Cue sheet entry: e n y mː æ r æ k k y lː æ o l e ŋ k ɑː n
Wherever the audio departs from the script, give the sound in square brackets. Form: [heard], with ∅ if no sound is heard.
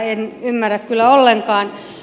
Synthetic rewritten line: e n y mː æ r æ k k y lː æ o [lː] e ŋ k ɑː n